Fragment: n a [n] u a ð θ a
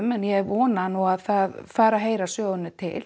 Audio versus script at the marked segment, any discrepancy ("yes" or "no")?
no